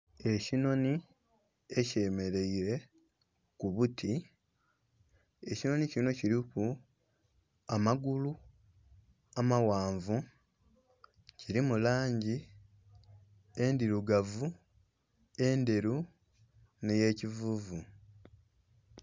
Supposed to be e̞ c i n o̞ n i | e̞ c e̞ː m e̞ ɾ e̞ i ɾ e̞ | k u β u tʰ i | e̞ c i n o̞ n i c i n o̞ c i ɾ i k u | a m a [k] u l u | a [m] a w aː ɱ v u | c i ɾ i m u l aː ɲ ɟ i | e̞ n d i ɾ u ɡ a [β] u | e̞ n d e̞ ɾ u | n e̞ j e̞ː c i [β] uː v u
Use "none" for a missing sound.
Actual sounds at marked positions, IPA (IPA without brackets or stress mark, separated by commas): ɡ, m, v, v